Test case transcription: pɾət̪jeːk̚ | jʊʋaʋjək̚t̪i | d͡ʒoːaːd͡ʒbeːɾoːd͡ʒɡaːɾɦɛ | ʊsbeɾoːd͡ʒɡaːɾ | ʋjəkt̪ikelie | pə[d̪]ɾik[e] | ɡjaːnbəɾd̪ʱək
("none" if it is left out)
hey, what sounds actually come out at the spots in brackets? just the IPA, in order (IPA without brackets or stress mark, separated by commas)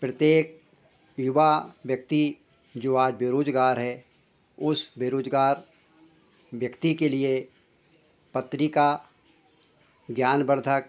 t̪, a